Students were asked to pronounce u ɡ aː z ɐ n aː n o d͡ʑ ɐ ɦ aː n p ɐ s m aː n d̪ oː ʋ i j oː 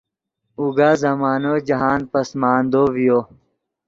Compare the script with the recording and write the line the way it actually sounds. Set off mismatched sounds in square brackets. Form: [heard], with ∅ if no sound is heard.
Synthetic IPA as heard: u ɡ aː z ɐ [m] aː n o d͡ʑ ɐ ɦ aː n p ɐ s m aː n d̪ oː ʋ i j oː

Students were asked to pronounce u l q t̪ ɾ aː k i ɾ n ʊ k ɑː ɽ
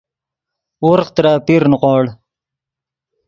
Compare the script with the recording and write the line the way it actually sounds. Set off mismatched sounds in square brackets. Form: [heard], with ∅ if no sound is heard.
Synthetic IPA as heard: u [ɾ] q t̪ ɾ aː [p] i ɾ n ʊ [q] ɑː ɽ

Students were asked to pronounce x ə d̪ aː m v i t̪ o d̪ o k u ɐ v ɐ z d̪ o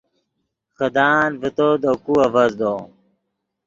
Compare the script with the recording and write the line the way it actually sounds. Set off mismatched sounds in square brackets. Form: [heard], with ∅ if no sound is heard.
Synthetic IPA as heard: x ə d̪ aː [n] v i t̪ o d̪ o k u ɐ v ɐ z d̪ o

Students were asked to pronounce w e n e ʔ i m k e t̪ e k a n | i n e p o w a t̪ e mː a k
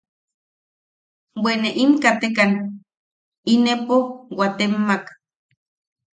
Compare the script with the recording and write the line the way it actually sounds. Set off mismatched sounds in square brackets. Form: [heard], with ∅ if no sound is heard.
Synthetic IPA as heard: w e n e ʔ i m k [a] t̪ e k a n | i n e p o w a t̪ e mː a k

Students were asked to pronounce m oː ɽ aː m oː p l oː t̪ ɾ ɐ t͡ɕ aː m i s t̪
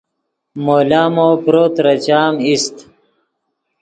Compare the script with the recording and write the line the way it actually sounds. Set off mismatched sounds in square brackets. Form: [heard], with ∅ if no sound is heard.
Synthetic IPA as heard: m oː [l] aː m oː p [ɾ] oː t̪ ɾ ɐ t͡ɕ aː m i s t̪

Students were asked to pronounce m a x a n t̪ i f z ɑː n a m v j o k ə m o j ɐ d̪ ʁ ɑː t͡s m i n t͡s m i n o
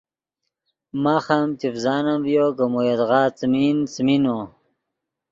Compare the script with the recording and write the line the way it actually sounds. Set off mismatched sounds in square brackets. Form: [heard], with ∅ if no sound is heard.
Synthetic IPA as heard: m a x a [m] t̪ i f z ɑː n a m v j o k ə m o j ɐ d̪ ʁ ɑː t͡s m i n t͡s m i n o

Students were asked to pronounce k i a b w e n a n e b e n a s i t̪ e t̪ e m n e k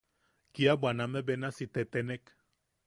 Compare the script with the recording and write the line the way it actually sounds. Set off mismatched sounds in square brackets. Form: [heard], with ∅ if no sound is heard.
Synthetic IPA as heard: k i a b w [a] n a [m] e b e n a s i t̪ e t̪ e [∅] n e k

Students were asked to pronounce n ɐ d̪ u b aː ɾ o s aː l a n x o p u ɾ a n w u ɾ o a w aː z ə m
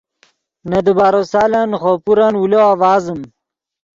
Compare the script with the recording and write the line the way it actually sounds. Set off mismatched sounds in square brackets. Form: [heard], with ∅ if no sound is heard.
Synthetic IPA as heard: n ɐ d̪ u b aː ɾ o s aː l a n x o p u ɾ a n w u [l] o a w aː z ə m

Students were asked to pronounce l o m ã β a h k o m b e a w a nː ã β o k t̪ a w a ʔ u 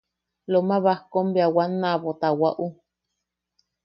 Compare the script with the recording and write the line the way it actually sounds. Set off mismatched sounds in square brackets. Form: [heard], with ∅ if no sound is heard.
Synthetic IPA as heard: l o m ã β a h k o m b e a w a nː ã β o [∅] t̪ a w a ʔ u

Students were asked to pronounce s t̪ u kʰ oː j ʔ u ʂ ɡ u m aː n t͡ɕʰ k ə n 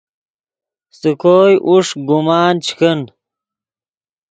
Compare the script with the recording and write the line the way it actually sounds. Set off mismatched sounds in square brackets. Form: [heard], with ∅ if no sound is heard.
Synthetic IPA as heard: s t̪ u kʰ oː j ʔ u ʂ ɡ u m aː n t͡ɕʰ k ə n

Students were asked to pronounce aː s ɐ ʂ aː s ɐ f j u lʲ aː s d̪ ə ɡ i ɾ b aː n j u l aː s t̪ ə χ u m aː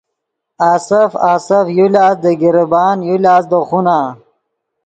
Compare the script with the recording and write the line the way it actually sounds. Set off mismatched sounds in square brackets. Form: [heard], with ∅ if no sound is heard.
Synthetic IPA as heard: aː s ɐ [f] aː s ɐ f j u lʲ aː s d̪ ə ɡ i ɾ b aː n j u l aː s [d̪] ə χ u [n] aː

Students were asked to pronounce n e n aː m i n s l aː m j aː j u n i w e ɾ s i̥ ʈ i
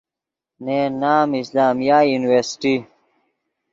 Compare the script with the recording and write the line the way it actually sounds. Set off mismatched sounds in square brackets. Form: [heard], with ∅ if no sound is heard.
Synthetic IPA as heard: n e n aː m i [∅] s l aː m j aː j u n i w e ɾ s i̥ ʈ i

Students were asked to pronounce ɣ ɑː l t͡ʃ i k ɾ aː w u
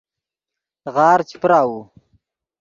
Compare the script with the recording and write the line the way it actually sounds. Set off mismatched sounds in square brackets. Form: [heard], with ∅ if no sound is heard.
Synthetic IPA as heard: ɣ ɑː [ɾ] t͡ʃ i [p] ɾ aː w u

